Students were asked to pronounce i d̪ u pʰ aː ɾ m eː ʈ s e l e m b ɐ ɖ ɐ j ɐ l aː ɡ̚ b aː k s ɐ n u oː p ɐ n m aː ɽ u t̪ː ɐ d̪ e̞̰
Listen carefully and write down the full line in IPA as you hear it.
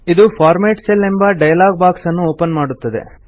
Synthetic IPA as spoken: i d̪ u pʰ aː ɾ m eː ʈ s e l e m b ɐ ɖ ɐ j ɐ l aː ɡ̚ b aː k s ɐ nː u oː p ɐ n m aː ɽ u t̪ː ɐ d̪ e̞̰